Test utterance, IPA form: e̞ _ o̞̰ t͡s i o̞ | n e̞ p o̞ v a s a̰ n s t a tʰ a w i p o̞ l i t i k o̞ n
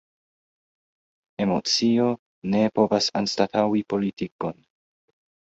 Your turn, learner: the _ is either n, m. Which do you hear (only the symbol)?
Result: m